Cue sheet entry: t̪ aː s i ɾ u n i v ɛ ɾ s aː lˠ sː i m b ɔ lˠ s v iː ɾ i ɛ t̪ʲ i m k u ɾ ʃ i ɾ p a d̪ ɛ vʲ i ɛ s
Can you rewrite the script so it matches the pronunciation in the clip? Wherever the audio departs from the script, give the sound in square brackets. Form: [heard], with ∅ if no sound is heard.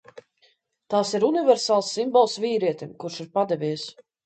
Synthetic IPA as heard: t̪ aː s i ɾ u n i v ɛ ɾ s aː lˠ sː i m b ɔ lˠ s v iː ɾ i ɛ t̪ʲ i m k u ɾ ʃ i ɾ p a d̪ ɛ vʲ i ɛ s